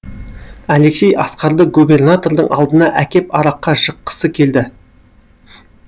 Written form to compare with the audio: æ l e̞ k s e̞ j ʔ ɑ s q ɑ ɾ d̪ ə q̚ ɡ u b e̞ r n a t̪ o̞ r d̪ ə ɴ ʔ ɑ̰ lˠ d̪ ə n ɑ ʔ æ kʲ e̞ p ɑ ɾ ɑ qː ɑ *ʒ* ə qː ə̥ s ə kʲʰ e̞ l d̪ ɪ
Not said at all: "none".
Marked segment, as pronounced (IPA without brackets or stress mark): ʒ